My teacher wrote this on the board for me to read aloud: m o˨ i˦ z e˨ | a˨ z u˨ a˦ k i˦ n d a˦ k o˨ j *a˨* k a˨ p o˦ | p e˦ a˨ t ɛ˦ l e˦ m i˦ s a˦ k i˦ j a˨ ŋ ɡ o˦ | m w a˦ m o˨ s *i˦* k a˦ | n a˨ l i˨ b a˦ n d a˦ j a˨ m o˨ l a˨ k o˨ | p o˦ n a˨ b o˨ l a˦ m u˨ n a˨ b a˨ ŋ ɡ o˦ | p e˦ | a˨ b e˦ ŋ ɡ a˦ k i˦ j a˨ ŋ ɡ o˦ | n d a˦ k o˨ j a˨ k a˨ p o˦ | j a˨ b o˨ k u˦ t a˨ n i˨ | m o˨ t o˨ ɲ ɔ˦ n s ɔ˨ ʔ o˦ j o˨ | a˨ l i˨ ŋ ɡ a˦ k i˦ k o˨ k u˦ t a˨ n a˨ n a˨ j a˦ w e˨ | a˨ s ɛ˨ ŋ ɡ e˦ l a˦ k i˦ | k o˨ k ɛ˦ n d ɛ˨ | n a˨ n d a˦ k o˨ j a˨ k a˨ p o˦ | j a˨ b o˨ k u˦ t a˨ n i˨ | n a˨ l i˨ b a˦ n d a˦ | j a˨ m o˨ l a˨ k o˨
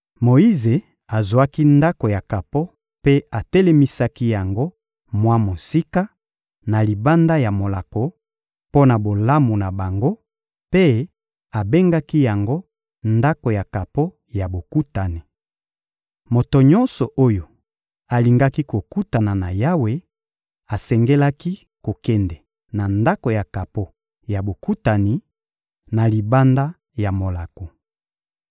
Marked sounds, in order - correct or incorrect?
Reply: correct, correct

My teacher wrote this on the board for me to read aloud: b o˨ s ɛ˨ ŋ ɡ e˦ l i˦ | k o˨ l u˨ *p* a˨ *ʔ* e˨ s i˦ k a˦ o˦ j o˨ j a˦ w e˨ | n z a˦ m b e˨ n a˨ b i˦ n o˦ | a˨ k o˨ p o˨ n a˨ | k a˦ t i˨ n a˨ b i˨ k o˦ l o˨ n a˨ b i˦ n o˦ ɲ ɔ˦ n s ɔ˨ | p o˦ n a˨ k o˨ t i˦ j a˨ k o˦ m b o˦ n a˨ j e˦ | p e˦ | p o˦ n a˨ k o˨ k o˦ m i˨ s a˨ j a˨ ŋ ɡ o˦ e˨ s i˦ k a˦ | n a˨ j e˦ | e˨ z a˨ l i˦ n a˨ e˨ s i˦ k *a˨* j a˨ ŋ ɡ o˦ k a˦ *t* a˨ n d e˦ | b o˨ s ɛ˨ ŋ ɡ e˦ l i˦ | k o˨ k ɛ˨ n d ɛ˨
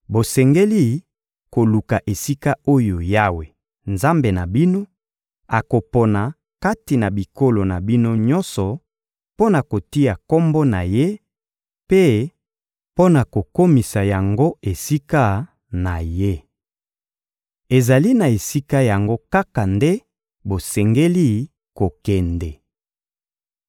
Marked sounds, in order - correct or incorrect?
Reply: incorrect, correct, incorrect, incorrect

